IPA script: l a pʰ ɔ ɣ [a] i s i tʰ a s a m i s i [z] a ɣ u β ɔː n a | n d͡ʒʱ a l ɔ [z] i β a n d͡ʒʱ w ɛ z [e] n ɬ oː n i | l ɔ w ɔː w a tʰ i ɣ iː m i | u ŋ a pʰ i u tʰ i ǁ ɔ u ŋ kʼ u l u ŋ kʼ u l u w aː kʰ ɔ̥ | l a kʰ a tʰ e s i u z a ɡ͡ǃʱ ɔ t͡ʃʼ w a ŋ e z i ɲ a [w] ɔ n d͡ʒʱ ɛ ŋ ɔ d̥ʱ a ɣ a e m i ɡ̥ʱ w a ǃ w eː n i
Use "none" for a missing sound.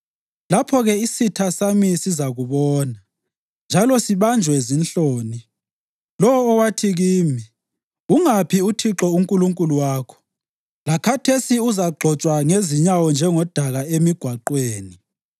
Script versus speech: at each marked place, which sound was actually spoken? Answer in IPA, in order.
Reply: ɛ, z, s, i, w

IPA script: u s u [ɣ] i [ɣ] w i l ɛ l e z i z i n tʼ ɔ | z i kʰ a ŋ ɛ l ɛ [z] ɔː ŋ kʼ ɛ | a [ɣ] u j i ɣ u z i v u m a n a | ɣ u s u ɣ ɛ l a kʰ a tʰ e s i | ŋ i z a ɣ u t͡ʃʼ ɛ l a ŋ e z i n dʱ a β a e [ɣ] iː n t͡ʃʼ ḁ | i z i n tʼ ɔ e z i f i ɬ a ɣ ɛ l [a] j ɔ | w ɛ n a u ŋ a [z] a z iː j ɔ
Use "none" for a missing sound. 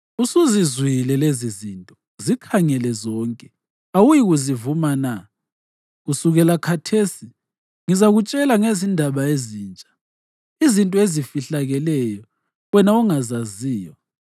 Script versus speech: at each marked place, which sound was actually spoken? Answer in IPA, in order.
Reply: z, z, z, w, z, ɛ, z

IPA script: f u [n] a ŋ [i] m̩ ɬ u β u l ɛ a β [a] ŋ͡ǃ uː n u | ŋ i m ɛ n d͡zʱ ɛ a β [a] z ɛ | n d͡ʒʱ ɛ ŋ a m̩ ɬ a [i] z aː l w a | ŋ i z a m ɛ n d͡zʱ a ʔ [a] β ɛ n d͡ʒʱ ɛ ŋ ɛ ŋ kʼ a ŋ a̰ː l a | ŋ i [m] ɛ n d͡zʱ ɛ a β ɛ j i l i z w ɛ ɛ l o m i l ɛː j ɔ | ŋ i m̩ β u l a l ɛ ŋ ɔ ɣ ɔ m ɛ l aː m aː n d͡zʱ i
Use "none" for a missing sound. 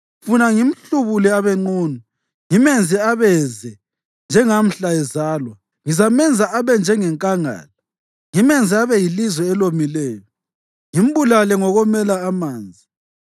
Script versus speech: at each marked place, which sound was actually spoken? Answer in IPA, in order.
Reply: n, i, ɛ, ɛ, ɛ, a, m

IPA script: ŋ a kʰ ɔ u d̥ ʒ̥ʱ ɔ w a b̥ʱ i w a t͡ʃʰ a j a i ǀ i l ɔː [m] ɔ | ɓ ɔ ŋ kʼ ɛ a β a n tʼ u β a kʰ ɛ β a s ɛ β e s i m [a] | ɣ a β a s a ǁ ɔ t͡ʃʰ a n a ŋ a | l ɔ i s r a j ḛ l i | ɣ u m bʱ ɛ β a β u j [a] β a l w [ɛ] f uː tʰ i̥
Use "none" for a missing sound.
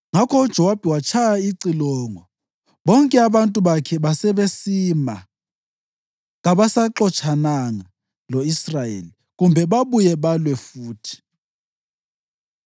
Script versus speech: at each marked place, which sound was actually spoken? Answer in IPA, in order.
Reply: ŋ, a, ɛ, ɛ

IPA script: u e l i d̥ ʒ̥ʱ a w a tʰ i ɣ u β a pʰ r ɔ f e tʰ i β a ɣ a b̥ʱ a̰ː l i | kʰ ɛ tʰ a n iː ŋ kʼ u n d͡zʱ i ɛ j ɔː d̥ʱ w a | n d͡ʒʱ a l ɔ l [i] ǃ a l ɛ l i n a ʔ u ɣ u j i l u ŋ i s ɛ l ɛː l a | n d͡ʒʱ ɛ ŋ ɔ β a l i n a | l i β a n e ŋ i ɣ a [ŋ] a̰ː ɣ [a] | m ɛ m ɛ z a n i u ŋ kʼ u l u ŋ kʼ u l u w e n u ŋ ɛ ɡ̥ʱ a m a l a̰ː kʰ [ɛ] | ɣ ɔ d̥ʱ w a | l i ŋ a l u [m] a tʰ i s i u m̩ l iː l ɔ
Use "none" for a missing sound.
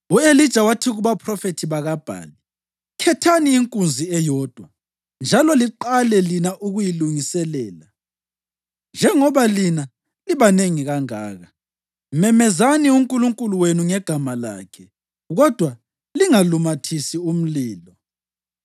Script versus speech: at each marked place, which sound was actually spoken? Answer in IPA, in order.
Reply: i, ŋ, a, ɛ, m

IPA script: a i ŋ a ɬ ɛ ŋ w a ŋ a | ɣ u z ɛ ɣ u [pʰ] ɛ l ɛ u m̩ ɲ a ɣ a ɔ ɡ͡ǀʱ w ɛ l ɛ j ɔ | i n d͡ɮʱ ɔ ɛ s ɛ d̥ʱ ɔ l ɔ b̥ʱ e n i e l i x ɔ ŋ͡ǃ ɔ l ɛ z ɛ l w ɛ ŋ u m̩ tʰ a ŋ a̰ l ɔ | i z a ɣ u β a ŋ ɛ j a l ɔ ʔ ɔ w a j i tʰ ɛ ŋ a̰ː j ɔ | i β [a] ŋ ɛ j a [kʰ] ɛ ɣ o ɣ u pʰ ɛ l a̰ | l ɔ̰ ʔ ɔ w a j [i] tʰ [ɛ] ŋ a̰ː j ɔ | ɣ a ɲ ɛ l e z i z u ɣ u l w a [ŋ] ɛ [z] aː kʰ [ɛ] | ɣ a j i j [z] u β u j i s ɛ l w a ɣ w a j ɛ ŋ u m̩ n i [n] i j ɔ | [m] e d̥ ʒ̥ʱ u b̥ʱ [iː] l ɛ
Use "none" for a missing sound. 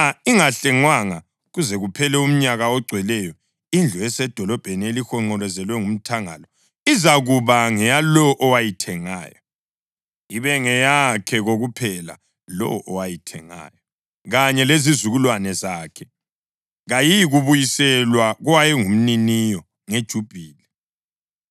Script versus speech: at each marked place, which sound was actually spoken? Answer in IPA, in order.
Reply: pʰ, ɛ, kʰ, i, ɛ, n, z, ɛ, ɣ, n, ŋ, iː

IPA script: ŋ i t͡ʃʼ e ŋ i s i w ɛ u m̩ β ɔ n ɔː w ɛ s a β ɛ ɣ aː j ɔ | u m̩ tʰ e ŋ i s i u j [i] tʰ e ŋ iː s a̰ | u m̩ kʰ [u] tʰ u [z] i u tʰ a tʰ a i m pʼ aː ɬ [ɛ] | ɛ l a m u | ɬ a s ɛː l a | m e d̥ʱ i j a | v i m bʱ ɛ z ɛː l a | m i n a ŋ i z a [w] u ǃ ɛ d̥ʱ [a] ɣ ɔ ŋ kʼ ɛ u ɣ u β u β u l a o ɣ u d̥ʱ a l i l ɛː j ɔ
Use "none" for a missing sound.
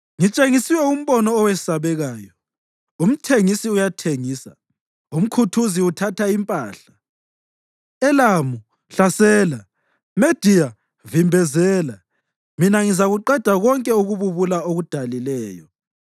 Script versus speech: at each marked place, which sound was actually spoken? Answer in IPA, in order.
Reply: a, u, z, a, ɣ, a

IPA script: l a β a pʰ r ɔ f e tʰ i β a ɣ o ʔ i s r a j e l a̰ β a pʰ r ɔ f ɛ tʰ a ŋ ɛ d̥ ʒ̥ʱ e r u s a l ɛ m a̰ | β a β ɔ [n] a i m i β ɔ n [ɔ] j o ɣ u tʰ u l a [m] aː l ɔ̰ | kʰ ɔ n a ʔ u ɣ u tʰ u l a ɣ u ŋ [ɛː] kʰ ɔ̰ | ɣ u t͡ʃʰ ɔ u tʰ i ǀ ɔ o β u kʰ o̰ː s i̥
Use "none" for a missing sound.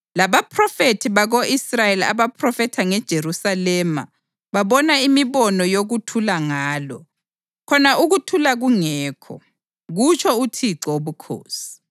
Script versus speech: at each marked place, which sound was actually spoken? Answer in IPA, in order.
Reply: n, ɔ, ŋ, ɛː

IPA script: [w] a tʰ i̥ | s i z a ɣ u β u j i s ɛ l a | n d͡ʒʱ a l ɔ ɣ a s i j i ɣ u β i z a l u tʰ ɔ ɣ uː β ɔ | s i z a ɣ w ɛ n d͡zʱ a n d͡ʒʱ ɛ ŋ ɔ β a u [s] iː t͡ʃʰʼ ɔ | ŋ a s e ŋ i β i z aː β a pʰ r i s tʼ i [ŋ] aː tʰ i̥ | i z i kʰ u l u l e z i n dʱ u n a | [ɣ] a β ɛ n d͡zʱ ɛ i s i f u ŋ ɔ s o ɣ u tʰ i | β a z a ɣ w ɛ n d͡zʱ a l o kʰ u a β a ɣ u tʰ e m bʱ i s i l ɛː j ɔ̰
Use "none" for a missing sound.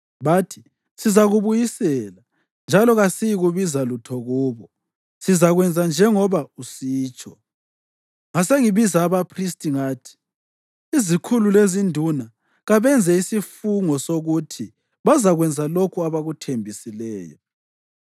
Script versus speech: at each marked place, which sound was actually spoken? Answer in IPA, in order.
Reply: β, s, ŋ, ɣ

